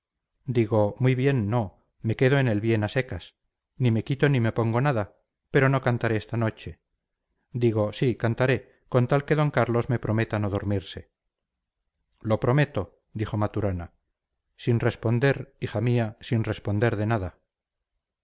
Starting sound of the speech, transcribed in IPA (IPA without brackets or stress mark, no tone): d̪